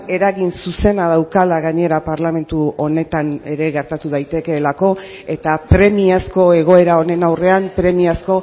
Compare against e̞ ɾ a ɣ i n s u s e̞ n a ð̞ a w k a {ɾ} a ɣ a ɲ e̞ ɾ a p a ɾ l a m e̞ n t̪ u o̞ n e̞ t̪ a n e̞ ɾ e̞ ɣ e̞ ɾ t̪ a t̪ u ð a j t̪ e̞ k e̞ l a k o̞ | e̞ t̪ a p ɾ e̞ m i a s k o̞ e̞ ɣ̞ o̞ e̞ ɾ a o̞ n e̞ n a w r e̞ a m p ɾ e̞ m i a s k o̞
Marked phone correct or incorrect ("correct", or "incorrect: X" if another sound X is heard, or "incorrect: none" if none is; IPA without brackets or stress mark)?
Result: incorrect: l